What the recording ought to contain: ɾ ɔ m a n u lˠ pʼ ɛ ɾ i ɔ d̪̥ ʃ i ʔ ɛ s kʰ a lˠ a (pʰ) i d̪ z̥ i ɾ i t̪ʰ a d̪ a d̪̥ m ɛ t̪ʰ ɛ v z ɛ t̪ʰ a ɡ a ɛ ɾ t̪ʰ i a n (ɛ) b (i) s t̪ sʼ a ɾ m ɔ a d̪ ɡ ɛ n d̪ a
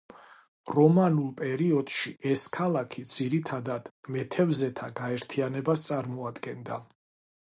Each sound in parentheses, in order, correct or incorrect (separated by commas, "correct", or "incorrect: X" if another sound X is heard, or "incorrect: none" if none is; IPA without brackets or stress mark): incorrect: kʰ, correct, incorrect: a